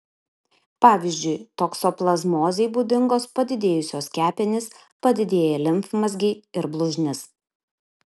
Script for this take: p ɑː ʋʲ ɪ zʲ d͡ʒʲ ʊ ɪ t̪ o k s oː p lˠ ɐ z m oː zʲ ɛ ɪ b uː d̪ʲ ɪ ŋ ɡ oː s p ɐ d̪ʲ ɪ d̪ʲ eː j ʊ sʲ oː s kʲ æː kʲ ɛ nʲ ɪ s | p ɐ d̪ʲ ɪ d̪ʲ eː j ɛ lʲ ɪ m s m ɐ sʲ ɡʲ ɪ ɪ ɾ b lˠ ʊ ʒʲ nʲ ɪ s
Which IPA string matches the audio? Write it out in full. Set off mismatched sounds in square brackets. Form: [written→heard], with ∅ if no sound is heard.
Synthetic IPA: p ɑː ʋʲ ɪ zʲ d͡ʒʲ ʊ ɪ t̪ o k s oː p lˠ ɐ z m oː zʲ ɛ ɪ b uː d̪ʲ ɪ ŋ ɡ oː s p ɐ d̪ʲ ɪ d̪ʲ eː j ʊ sʲ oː s kʲ æː [kʲ→pʲ] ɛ nʲ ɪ s | p ɐ d̪ʲ ɪ d̪ʲ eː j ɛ lʲ ɪ m [s→f] m ɐ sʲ ɡʲ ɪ ɪ ɾ b lˠ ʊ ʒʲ nʲ ɪ s

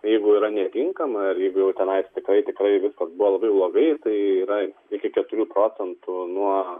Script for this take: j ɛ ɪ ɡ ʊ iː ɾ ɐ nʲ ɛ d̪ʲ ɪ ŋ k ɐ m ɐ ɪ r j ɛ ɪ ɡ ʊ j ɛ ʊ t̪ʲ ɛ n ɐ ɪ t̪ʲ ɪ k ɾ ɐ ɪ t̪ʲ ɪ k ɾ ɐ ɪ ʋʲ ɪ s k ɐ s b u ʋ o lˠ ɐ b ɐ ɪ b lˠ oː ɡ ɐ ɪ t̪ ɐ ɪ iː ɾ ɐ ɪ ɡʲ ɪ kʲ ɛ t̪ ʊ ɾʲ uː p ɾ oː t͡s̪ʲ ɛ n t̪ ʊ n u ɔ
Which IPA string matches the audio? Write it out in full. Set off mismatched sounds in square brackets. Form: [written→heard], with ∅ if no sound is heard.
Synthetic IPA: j ɛ ɪ ɡ ʊ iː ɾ ɐ nʲ ɛ [d̪ʲ→t̪ʲ] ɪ ŋ k ɐ m ɐ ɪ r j ɛ ɪ ɡ ʊ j ɛ ʊ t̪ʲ ɛ n ɐ ɪ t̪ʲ ɪ k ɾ ɐ ɪ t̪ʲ ɪ k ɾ ɐ ɪ ʋʲ ɪ s k ɐ s b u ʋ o lˠ ɐ b ɐ ɪ b lˠ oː ɡ ɐ ɪ t̪ ɐ ɪ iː ɾ ɐ ɪ [ɡʲ→kʲ] ɪ kʲ ɛ t̪ ʊ ɾʲ uː p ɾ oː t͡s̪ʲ ɛ n t̪ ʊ n u ɔ

